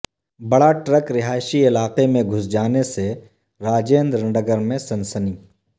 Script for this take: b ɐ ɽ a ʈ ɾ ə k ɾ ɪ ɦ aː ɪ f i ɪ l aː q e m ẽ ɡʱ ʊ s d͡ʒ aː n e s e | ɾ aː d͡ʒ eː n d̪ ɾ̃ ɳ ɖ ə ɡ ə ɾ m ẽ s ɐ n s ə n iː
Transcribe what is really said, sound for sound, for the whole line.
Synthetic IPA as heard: b ɐ ɽ a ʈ ɾ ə k ɾ ɪ ɦ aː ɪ ʃ i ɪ l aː q e m ẽ ɡʱ ʊ s d͡ʒ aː n e s e | ɾ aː d͡ʒ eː n d̪ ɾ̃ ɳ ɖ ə ɡ ə ɾ m ẽ s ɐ n s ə n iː